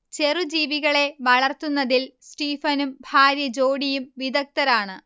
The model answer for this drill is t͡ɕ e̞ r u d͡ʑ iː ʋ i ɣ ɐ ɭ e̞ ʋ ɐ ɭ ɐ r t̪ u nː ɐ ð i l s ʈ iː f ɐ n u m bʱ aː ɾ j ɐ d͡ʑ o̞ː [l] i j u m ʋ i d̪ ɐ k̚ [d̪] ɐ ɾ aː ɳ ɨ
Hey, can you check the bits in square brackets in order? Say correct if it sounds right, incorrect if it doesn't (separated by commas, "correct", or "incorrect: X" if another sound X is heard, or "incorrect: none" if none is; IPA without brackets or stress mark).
incorrect: ɽ, incorrect: t̪